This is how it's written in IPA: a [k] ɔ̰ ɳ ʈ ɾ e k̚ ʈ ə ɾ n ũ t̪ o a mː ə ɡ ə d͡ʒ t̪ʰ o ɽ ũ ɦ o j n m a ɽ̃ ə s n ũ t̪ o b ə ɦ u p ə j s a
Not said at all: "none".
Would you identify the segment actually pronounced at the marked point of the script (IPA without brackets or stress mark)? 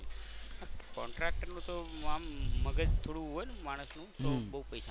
k